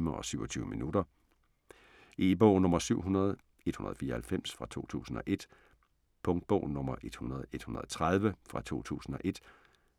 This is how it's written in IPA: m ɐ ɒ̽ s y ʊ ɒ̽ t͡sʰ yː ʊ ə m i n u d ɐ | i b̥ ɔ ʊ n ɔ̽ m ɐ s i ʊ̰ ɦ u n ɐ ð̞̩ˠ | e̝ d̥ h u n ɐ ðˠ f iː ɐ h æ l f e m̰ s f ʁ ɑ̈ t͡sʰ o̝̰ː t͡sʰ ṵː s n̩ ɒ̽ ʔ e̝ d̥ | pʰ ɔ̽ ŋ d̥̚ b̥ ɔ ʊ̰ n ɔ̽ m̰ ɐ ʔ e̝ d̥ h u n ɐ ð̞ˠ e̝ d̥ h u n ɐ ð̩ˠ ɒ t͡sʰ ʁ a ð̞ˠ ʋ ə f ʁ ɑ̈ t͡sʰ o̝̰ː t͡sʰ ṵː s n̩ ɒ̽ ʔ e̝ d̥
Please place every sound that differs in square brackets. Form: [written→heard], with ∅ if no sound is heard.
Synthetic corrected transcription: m ɐ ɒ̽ s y ʊ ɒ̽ t͡sʰ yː ʊ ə m i n u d ɐ | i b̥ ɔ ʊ n ɔ̽ m ɐ s [i→y] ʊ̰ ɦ u n ɐ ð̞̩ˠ | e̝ d̥ h u n ɐ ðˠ f iː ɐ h æ l f e m̰ s f ʁ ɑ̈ t͡sʰ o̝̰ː t͡sʰ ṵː s n̩ ɒ̽ ʔ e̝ d̥ | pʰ ɔ̽ ŋ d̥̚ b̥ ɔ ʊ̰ n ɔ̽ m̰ ɐ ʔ e̝ d̥ h u n ɐ ð̞ˠ e̝ d̥ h u n ɐ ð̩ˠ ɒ t͡sʰ ʁ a ð̞ˠ ʋ ə f ʁ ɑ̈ t͡sʰ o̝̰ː t͡sʰ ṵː s n̩ ɒ̽ ʔ e̝ d̥